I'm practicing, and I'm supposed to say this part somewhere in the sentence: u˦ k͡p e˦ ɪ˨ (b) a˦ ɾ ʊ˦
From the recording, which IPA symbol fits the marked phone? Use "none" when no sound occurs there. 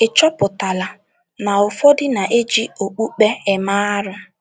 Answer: m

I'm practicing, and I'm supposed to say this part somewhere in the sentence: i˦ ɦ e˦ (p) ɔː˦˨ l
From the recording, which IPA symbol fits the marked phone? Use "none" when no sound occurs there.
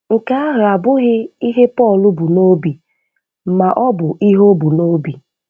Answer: p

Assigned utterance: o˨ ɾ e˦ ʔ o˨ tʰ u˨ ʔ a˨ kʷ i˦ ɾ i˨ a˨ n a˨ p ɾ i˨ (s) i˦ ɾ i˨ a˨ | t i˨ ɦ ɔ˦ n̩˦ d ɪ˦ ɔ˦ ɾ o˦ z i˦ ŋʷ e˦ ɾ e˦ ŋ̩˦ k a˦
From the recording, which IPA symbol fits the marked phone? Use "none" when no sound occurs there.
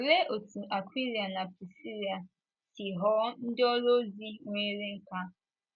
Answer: s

